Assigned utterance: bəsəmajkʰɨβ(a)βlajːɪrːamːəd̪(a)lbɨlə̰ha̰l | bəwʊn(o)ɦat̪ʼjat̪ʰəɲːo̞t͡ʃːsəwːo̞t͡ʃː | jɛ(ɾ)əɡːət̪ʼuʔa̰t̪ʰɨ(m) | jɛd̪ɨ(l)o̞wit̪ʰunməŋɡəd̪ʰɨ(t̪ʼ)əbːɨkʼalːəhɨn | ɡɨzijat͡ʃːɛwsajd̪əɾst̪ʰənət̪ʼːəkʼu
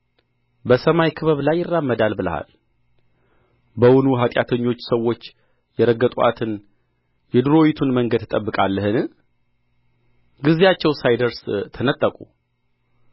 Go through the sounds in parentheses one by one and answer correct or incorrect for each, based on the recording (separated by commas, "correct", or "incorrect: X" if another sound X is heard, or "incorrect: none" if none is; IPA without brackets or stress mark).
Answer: incorrect: ə, correct, incorrect: u, correct, incorrect: n, incorrect: ɾ, correct